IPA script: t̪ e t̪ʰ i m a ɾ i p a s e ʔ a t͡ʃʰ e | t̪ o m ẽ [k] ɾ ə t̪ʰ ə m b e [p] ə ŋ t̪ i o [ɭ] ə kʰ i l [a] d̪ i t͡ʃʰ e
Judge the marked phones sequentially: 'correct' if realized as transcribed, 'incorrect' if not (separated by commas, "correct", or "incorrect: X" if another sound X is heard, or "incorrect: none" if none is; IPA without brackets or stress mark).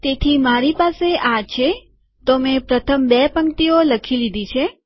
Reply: incorrect: p, correct, incorrect: l, incorrect: i